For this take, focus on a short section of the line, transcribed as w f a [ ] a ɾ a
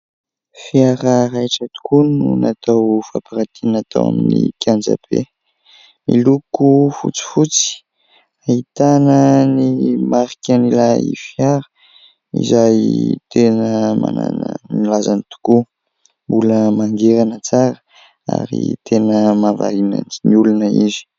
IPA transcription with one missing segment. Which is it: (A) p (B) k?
A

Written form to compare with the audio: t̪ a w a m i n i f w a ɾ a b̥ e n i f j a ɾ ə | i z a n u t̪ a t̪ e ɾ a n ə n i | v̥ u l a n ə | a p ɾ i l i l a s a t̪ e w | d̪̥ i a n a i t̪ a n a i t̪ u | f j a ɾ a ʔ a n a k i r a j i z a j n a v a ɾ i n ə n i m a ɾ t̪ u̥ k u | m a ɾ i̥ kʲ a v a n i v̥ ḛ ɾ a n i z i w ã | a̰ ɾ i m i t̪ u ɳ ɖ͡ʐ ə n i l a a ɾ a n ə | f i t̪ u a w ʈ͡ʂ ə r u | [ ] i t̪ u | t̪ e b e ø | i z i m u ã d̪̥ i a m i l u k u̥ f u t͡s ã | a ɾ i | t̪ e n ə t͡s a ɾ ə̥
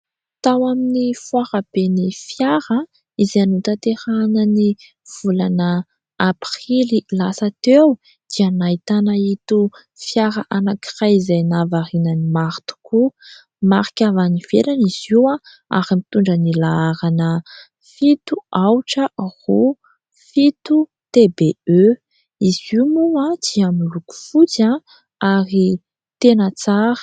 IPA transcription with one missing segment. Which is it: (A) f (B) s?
A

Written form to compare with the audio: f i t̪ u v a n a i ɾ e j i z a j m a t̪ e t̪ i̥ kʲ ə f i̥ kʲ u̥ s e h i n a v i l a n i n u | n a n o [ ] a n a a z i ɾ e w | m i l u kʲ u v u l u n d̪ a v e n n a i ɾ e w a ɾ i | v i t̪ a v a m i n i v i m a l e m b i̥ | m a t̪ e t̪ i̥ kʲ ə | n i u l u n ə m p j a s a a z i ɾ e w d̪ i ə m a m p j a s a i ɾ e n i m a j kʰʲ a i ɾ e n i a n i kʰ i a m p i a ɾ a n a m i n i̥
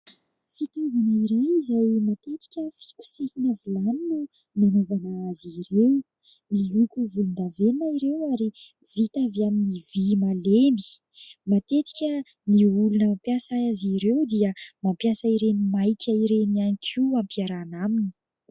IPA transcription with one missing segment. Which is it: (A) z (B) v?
B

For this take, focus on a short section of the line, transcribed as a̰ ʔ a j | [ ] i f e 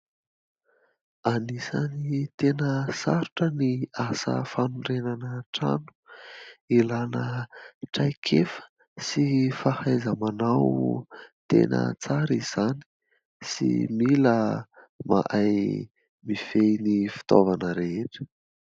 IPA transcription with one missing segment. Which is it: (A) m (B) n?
A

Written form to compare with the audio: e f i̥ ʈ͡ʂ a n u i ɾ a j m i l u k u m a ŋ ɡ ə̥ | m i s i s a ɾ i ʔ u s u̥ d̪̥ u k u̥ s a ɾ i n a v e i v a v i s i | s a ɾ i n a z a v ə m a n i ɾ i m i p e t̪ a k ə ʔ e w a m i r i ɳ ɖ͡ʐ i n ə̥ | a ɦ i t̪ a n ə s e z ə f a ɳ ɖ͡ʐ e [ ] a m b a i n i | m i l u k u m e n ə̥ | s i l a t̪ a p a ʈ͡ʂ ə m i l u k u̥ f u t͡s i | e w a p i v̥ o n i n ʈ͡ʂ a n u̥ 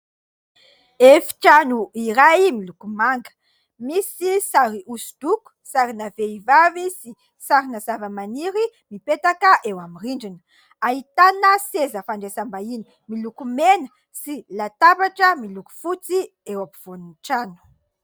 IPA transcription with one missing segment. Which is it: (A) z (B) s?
B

